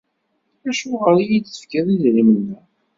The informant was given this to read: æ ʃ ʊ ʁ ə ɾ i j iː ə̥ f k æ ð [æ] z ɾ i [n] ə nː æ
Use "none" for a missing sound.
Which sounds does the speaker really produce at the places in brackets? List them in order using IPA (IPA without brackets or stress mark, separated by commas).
i, m